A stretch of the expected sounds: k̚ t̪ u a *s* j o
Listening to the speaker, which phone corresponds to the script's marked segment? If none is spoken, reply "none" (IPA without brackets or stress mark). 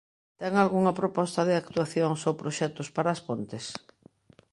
θ